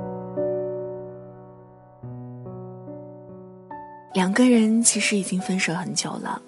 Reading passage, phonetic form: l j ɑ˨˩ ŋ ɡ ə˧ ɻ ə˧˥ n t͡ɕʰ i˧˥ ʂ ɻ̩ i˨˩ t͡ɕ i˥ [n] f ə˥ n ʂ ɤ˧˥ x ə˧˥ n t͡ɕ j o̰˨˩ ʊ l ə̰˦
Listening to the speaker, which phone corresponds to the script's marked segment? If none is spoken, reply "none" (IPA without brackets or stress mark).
ŋ